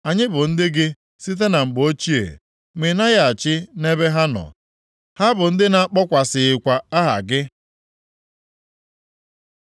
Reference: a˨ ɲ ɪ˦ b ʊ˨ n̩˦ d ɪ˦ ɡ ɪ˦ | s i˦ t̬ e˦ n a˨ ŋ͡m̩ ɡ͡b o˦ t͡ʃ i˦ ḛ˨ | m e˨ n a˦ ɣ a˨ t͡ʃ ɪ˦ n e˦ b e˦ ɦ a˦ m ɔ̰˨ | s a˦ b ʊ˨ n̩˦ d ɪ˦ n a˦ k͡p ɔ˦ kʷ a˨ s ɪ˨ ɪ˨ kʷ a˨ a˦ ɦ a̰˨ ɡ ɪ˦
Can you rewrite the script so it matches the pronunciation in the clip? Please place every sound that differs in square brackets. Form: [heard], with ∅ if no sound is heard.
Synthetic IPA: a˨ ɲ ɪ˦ b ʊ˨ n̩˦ d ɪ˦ ɡ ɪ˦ | s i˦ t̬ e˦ n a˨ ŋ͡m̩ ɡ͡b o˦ t͡ʃ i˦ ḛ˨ | m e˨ n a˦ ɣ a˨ t͡ʃ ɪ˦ n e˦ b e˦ ɦ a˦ [n] ɔ̰˨ | [h] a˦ b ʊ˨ n̩˦ d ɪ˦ n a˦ k͡p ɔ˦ kʷ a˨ s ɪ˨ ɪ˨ kʷ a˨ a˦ ɦ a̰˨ ɡ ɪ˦